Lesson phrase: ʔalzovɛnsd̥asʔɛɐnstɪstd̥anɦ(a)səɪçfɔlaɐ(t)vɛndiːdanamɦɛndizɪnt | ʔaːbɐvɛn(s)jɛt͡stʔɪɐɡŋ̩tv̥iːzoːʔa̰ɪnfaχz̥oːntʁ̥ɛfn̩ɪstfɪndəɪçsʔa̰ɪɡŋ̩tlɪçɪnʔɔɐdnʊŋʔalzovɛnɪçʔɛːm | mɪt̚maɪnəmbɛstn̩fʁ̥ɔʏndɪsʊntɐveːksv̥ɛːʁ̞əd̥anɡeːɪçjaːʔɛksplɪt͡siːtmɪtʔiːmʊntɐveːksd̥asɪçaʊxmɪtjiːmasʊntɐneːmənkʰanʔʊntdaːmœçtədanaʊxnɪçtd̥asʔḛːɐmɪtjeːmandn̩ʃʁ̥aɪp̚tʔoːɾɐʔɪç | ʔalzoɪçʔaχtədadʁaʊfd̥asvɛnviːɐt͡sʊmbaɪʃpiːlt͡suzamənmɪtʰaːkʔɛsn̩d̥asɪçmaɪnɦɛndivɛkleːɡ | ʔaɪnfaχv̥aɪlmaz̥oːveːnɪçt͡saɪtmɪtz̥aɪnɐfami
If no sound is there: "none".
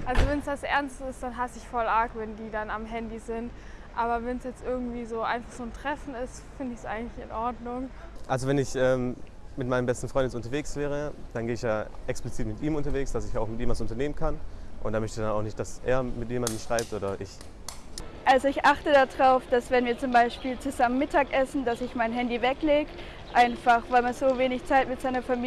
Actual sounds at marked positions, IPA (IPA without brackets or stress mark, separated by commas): a, k, s